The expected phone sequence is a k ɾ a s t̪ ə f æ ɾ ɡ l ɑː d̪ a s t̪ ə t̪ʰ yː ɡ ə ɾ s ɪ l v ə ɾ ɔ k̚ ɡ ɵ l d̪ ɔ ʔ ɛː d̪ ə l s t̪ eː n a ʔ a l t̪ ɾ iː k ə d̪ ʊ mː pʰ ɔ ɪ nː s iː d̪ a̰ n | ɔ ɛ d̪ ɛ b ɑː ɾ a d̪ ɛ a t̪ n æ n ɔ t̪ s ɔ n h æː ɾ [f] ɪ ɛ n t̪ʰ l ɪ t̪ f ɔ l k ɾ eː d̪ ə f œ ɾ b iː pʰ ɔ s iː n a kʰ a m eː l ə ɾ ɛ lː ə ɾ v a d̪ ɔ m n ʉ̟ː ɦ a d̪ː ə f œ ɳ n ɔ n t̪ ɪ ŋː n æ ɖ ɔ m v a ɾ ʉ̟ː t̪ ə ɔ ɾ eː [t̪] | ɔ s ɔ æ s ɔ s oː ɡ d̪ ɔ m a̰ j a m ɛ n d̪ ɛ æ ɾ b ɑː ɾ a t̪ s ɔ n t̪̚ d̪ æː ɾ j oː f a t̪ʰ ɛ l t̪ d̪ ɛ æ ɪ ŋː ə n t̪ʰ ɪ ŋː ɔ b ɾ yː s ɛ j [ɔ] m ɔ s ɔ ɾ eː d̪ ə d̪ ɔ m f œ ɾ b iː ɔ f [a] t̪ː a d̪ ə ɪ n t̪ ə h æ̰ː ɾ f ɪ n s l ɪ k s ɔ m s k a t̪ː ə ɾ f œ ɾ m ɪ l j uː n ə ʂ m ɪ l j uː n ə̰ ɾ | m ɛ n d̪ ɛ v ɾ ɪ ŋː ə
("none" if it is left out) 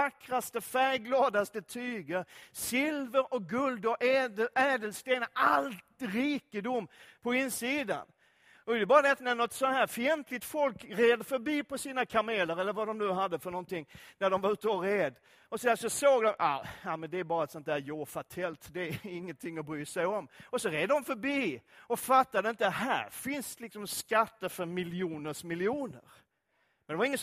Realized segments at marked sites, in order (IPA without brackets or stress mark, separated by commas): f, d̪, ɔ, a